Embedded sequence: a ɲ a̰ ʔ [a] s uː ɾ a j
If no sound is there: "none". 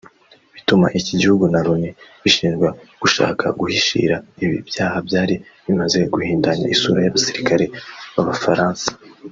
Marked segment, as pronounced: i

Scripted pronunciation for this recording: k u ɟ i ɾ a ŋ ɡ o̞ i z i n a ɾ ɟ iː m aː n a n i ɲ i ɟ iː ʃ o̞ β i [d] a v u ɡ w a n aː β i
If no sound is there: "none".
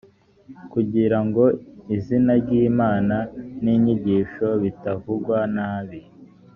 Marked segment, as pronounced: t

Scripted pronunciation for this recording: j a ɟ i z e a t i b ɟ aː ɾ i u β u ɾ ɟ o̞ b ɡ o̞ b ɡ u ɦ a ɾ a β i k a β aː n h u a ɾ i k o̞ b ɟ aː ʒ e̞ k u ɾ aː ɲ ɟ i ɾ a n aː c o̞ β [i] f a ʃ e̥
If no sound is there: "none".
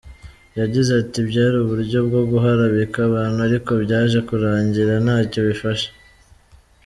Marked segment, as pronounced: i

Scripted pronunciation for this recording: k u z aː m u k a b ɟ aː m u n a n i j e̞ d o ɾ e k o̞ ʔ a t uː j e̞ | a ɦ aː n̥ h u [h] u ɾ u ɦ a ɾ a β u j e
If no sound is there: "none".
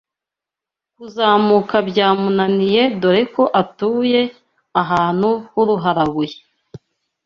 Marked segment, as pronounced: h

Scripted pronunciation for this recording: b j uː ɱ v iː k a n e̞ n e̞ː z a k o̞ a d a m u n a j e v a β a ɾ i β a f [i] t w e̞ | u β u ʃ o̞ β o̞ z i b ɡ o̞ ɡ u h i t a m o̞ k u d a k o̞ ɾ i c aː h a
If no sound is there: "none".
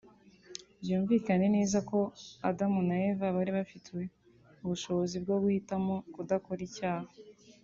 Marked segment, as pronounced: i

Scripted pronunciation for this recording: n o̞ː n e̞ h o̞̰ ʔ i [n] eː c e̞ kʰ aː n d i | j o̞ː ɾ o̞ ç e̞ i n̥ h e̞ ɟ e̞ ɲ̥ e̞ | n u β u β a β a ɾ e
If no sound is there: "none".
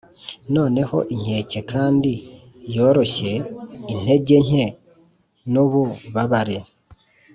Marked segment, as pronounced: ɲ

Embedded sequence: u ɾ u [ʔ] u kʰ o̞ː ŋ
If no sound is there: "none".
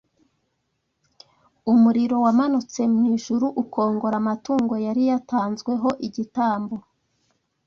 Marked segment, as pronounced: ʔ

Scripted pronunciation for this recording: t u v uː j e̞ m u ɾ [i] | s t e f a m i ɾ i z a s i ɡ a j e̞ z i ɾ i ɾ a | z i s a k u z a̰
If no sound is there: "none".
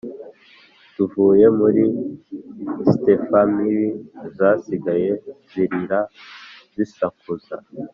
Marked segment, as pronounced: i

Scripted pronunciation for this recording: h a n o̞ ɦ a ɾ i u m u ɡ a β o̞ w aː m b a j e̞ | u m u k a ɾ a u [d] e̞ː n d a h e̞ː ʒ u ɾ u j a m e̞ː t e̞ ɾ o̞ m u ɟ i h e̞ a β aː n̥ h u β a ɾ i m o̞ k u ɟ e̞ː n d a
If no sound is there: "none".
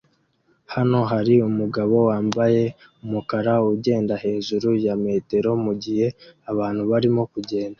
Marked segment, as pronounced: ɟ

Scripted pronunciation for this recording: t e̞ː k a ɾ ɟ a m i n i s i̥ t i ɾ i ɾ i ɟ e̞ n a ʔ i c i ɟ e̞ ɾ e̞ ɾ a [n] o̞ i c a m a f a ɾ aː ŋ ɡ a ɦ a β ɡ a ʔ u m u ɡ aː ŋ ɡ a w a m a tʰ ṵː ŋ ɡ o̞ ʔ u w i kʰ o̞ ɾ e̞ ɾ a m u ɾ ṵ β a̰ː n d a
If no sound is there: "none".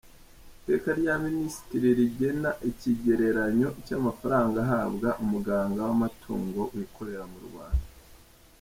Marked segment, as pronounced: ɲ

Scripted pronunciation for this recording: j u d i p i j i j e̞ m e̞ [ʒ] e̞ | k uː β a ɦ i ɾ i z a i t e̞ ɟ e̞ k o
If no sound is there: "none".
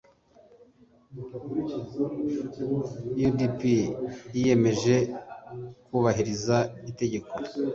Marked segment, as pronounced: ʒ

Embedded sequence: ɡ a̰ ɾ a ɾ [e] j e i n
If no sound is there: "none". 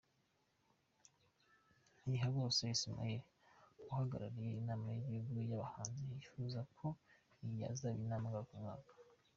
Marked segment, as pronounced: i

